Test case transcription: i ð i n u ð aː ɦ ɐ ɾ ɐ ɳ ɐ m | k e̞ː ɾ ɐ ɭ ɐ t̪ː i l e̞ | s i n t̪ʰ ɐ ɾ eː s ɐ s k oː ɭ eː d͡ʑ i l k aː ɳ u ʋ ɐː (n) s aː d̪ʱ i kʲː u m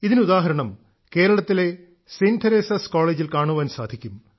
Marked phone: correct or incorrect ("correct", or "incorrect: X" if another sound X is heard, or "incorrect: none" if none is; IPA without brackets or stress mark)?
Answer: correct